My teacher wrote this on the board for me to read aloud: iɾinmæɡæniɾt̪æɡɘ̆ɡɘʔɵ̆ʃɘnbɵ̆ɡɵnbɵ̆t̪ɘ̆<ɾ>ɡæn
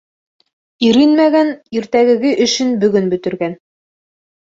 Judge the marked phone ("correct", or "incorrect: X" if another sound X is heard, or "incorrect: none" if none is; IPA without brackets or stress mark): correct